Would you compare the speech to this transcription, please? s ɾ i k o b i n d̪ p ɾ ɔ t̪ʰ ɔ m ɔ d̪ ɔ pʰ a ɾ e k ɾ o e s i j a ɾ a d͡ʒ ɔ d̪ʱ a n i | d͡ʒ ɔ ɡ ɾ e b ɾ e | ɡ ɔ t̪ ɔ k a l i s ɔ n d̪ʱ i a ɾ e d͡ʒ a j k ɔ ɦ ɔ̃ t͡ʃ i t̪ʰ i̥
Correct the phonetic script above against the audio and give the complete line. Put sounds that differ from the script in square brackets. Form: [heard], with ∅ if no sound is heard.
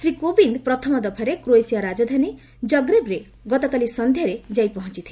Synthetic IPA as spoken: s ɾ i k o b i n d̪ p ɾ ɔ t̪ʰ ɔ m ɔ d̪ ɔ pʰ a ɾ e k ɾ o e s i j a ɾ a d͡ʒ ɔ d̪ʱ a n i | d͡ʒ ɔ ɡ ɾ e b ɾ e | ɡ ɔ t̪ ɔ k a l i s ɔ n d̪ʱ [j] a ɾ e d͡ʒ a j [p] ɔ ɦ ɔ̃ t͡ʃ i t̪ʰ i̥